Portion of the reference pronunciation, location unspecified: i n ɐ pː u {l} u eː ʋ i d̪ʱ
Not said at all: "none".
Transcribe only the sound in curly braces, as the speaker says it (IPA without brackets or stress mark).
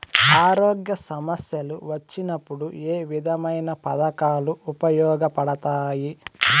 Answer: ɽ